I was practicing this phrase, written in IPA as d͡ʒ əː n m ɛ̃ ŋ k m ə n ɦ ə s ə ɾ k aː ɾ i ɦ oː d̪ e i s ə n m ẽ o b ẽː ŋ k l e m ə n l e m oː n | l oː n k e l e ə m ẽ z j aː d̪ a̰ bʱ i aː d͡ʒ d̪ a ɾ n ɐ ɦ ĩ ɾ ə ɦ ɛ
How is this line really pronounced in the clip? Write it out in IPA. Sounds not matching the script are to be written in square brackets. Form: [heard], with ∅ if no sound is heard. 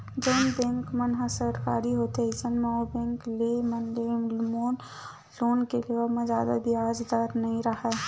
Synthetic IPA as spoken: d͡ʒ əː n [b] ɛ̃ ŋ k m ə n ɦ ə s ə ɾ k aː ɾ i ɦ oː [t̪] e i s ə n m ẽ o b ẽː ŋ k l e m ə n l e m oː n | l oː n k e l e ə m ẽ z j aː d̪ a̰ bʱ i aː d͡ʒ d̪ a ɾ n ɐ ɦ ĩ ɾ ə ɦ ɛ

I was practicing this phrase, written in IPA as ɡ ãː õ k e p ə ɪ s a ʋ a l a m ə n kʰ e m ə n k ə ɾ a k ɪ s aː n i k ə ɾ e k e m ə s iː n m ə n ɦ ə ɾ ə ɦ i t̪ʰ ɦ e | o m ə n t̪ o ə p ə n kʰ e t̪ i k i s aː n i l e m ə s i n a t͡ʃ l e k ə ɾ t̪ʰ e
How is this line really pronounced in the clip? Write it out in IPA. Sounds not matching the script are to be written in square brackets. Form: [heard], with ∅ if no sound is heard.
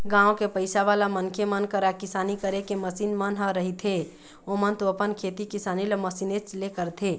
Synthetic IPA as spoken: ɡ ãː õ k e p ə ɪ s a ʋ a l a m ə n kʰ e m ə n k ə ɾ a k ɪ s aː n i k ə ɾ e k e m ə s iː n m ə n ɦ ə ɾ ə ɦ i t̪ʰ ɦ e | o m ə n t̪ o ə p ə n kʰ e t̪ i k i s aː n i l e m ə s i n [e] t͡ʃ l e k ə ɾ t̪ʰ e

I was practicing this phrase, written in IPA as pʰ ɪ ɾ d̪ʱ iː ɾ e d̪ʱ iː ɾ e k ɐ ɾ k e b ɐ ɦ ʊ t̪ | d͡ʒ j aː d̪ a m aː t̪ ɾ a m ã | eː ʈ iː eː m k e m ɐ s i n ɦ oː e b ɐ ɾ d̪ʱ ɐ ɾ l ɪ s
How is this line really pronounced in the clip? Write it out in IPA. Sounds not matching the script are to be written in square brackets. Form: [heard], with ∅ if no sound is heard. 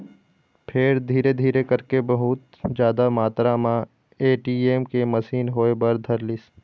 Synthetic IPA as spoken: pʰ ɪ ɾ d̪ʱ iː ɾ e d̪ʱ iː ɾ e k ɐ ɾ k e b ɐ ɦ ʊ t̪ | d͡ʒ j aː d̪ a m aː t̪ ɾ a m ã | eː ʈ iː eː m k e m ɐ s [iː] n ɦ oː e b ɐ ɾ d̪ʱ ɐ ɾ l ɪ s

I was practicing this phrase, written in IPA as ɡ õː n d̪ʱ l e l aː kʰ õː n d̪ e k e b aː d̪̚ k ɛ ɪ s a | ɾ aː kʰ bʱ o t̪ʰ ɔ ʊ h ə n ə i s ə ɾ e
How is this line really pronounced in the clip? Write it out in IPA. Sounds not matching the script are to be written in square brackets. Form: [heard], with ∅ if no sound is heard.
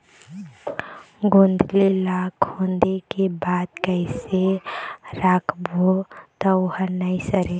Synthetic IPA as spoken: ɡ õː n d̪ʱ l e l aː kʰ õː n d̪ e k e b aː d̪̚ k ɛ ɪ s [e] | ɾ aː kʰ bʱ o [t̪] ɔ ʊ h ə n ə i s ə ɾ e

